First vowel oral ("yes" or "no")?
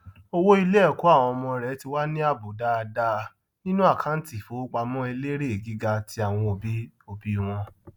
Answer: yes